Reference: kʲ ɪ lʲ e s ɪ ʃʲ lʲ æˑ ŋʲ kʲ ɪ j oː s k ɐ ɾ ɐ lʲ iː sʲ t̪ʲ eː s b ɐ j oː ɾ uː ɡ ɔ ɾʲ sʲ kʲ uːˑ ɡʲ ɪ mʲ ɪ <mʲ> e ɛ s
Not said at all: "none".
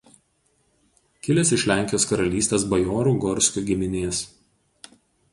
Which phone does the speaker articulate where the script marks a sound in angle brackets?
nʲ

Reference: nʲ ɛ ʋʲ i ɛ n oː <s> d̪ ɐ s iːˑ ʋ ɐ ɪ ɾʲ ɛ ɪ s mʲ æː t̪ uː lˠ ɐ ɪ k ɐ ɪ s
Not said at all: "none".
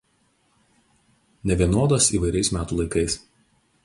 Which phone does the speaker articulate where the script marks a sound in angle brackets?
none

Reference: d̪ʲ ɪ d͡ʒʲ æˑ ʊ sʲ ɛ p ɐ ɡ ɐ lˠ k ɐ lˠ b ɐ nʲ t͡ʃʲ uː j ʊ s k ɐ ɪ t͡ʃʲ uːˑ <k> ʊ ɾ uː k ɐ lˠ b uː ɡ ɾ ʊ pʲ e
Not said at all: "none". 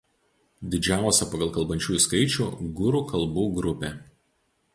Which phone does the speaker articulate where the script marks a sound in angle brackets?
ɡ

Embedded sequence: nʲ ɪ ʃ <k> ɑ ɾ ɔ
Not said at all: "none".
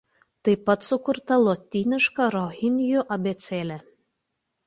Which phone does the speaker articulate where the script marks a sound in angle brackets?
k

